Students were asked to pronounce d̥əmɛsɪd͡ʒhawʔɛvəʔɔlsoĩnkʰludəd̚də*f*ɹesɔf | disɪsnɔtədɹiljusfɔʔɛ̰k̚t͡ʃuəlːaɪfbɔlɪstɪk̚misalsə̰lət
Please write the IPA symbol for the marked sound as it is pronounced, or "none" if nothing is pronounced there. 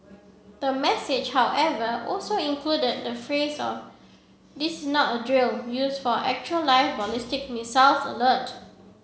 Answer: f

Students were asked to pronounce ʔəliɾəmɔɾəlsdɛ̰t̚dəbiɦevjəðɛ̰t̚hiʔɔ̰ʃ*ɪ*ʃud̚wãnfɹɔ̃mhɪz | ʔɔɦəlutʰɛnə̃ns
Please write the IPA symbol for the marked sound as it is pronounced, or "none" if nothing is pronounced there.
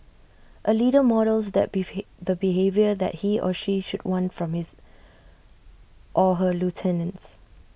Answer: i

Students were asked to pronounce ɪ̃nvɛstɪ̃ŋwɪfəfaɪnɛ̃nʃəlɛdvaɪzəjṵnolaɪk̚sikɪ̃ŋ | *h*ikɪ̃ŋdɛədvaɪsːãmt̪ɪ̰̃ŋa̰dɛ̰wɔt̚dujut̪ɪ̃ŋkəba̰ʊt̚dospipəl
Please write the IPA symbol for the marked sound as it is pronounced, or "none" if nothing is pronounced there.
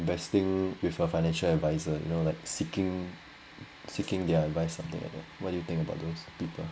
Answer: s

